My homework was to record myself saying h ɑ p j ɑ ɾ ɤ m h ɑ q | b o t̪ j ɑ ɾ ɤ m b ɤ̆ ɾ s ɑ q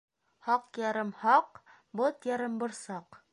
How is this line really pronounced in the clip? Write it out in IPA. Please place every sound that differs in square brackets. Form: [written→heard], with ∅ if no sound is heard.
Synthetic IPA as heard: h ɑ [p→q] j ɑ ɾ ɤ m h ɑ q | b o t̪ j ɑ ɾ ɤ m b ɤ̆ ɾ s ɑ q